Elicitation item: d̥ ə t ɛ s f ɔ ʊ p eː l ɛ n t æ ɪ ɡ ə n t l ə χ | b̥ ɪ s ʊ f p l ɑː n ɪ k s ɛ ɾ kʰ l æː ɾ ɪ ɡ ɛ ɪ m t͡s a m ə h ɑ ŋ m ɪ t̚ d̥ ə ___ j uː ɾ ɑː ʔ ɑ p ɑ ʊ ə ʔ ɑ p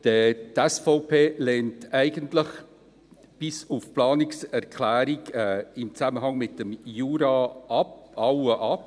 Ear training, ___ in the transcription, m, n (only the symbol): m